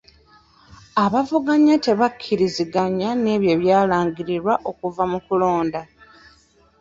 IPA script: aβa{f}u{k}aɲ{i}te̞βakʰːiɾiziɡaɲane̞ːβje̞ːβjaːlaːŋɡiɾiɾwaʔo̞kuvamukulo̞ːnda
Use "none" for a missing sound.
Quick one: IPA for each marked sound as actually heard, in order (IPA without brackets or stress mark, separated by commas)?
v, ɡ, a